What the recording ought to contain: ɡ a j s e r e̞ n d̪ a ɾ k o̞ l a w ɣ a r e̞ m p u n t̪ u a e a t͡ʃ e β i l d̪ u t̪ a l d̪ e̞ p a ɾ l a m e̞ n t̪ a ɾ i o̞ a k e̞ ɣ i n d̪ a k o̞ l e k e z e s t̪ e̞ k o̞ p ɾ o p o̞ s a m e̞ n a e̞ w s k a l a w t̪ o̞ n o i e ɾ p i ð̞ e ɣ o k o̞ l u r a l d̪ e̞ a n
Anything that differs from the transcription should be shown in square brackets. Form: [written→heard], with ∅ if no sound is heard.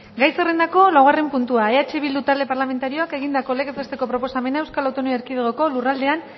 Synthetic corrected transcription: ɡ a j s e r e̞ n d̪ a [ɾ→∅] k o̞ l a w ɣ a r e̞ m p u n t̪ u a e a t͡ʃ e β i l d̪ u t̪ a l d̪ e̞ p a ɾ l a m e̞ n t̪ a ɾ i o̞ a k e̞ ɣ i n d̪ a k o̞ l e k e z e s t̪ e̞ k o̞ p ɾ o p o̞ s a m e̞ n a e̞ w s k a l a w t̪ o̞ n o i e ɾ [p→k] i ð̞ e ɣ o k o̞ l u r a l d̪ e̞ a n